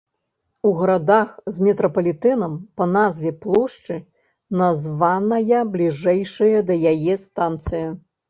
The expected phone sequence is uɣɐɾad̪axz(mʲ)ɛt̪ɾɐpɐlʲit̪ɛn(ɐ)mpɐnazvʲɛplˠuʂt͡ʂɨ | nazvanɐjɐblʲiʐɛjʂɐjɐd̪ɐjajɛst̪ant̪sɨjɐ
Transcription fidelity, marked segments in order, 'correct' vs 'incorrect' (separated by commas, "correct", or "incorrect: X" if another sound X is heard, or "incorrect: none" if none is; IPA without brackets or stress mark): correct, correct